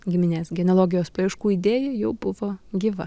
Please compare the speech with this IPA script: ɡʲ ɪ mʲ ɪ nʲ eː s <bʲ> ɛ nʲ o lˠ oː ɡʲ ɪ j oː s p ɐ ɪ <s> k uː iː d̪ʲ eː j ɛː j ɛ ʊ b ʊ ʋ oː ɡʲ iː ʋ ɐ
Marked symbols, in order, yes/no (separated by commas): no, no